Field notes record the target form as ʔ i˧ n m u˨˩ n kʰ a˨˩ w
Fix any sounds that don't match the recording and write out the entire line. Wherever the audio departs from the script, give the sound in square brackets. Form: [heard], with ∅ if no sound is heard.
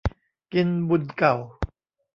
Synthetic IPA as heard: [k] i˧ n [b] u˨˩ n [k] a˨˩ w